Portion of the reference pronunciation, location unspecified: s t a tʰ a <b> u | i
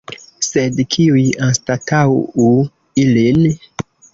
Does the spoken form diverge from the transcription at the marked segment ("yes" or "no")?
yes